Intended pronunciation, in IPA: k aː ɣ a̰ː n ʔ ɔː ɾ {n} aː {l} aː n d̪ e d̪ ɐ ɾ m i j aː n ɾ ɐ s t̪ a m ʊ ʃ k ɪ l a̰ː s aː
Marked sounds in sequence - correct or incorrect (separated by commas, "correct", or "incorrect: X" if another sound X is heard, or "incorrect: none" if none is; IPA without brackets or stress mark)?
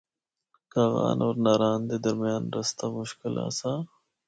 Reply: correct, incorrect: ɾ